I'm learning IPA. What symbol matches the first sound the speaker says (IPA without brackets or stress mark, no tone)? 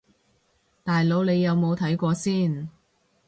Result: t̪